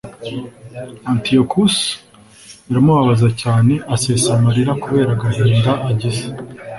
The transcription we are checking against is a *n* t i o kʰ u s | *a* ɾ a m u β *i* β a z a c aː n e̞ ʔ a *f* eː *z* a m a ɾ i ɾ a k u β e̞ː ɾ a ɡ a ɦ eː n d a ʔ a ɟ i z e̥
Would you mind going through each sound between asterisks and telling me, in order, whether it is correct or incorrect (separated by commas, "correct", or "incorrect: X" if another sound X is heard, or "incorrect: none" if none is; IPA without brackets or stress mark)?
correct, incorrect: i, incorrect: a, incorrect: s, incorrect: s